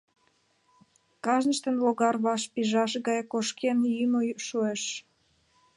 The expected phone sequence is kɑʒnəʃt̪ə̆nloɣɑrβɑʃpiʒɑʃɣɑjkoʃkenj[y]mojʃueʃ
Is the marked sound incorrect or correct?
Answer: correct